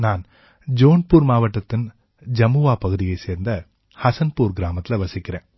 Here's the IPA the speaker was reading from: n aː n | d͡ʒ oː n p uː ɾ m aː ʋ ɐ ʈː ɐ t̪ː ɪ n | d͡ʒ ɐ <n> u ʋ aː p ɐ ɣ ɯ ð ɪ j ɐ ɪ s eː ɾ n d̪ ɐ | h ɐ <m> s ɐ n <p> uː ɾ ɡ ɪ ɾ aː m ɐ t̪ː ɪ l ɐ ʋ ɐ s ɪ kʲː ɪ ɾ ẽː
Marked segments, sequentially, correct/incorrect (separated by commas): incorrect, incorrect, correct